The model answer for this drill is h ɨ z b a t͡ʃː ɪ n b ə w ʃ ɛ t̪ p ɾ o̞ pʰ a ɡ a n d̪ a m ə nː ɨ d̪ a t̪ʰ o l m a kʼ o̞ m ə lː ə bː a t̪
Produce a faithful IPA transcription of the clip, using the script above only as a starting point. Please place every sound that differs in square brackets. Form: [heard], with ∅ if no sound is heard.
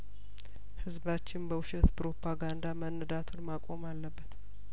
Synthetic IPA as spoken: h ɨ z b a t͡ʃː ɪ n b ə w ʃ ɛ t̪ p ɾ o̞ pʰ a ɡ a n d̪ a m ə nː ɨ d̪ a t̪ʰ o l m a kʼ o̞ m [a] lː ə bː [ə] t̪